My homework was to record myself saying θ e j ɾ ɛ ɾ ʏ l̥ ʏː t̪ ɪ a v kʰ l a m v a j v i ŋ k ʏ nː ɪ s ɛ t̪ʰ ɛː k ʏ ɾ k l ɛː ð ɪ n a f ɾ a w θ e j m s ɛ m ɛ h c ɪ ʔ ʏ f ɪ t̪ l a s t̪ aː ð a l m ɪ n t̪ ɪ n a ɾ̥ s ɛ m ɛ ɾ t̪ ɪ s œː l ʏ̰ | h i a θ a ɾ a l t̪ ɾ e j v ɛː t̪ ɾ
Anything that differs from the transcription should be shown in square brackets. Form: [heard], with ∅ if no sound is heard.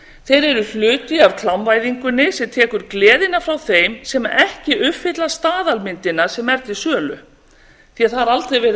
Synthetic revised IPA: θ e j ɾ ɛ ɾ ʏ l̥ ʏː t̪ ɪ a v kʰ l a m v a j [ð] i ŋ k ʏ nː ɪ s ɛ t̪ʰ ɛː k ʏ ɾ k l ɛː ð ɪ n a f ɾ a w θ e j m s ɛ m ɛ h c ɪ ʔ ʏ f ɪ t̪ l a s t̪ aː ð a l m ɪ n t̪ ɪ n a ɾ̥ s ɛ m ɛ ɾ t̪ ɪ s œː l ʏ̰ | [θ] i a θ a ɾ a l t̪ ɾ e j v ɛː [∅] ɾ